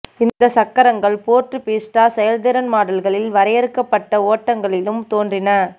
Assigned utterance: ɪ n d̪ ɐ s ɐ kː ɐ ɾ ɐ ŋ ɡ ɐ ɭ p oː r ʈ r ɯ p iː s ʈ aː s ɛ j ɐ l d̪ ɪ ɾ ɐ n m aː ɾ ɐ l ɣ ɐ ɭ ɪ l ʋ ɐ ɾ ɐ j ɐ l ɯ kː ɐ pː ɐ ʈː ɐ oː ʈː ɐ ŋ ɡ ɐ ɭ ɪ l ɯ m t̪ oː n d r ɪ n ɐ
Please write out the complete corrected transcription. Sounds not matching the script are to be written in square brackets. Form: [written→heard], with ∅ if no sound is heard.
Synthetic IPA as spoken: ɪ n d̪ ɐ s ɐ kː ɐ ɾ ɐ ŋ ɡ ɐ ɭ p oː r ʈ r ɯ p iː s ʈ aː s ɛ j ɐ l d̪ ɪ ɾ ɐ n m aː [ɾ→ɽ] ɐ l ɣ ɐ ɭ ɪ l ʋ ɐ ɾ ɐ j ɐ [l→ɾ] ɯ kː ɐ pː ɐ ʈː ɐ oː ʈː ɐ ŋ ɡ ɐ ɭ ɪ l ɯ m t̪ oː n d r ɪ n ɐ